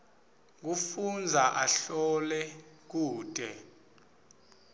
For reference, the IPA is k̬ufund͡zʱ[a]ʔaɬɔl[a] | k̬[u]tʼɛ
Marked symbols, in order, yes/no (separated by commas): yes, no, no